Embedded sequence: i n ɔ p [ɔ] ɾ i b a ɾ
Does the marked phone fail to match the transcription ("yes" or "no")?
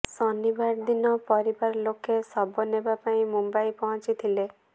no